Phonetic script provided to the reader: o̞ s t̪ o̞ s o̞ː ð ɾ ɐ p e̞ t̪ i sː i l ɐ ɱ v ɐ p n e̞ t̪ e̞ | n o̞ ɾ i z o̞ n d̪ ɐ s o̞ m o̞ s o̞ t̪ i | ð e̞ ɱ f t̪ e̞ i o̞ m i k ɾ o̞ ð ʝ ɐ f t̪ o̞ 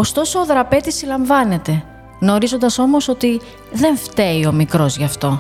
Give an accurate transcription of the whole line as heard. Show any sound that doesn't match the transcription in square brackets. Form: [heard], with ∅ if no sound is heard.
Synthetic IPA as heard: o̞ s t̪ o̞ s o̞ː ð ɾ ɐ p e̞ t̪ i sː i l ɐ ɱ v ɐ [∅] n e̞ t̪ e̞ | n o̞ ɾ i z o̞ n d̪ ɐ s o̞ m o̞ s o̞ t̪ i | ð e̞ ɱ f t̪ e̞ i o̞ m i k ɾ o̞ [z] ʝ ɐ f t̪ o̞